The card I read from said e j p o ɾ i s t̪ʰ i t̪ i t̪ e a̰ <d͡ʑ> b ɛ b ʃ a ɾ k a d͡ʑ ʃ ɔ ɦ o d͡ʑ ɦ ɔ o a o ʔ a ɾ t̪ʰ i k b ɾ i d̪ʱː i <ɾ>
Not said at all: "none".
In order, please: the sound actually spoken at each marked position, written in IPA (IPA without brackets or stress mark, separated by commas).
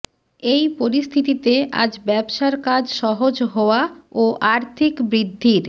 d͡ʑ, ɾ